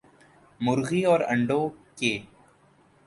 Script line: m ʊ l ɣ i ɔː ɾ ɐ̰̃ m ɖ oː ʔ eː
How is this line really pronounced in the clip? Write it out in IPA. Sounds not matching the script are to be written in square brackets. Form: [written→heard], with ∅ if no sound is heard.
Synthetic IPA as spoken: m ʊ [l→ɾ] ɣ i ɔː ɾ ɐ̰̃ [m→ɳ] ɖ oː [ʔ→k] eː